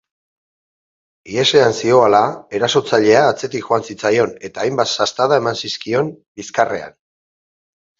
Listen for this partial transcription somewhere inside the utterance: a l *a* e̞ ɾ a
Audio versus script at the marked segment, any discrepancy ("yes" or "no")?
no